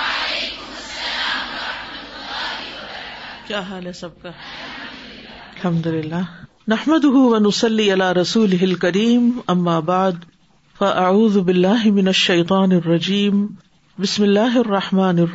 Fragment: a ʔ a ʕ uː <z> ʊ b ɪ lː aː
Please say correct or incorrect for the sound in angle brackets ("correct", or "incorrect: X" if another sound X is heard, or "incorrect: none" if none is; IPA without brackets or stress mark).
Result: incorrect: ð